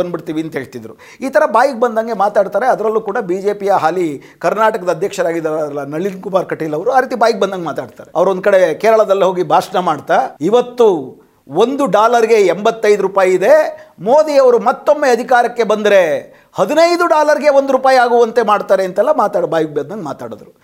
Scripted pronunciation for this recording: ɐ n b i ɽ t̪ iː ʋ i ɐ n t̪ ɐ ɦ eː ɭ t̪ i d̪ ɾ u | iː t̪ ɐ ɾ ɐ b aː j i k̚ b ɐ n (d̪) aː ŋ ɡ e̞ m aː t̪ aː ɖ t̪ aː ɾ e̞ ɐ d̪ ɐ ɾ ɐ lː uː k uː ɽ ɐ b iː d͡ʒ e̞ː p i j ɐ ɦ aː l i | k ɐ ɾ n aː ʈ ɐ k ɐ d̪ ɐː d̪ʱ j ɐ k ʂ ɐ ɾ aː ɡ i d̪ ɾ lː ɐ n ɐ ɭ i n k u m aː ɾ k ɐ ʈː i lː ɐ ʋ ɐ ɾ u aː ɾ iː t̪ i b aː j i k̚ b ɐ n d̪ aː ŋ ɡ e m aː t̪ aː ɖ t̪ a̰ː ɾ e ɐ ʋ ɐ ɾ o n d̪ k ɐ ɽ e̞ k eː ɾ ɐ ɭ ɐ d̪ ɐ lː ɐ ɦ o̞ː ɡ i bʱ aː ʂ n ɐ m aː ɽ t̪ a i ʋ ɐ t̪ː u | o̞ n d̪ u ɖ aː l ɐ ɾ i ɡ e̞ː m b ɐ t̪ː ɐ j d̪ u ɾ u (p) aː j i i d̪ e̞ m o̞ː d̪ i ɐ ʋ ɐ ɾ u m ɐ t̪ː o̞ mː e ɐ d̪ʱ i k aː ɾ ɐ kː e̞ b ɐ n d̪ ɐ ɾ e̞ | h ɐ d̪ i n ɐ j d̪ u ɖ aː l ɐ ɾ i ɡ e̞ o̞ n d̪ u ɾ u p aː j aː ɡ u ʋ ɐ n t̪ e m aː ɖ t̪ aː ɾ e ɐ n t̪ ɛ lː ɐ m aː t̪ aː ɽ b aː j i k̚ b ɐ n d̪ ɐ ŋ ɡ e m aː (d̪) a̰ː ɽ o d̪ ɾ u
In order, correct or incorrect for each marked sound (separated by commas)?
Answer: correct, correct, incorrect